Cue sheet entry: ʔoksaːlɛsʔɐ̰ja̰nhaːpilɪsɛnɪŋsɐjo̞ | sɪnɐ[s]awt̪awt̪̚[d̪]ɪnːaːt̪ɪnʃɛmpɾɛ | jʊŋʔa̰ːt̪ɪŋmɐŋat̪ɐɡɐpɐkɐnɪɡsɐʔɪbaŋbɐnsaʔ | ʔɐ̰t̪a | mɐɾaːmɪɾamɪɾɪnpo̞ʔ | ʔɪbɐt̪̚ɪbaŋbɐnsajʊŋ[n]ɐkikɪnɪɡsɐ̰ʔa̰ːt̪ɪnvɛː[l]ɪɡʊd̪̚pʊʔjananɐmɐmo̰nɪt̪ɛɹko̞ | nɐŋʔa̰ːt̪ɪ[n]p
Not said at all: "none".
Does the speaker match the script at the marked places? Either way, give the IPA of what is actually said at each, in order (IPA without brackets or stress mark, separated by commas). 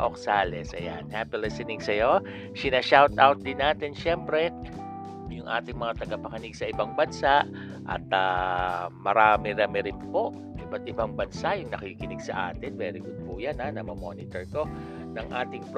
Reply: ʃ, d̪, n, ɾ, ŋ